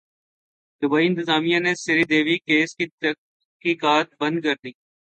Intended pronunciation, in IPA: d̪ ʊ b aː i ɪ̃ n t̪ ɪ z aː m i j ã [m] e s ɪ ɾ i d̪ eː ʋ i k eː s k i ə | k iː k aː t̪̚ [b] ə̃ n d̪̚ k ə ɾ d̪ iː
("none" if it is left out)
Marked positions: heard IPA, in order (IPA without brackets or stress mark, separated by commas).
n, b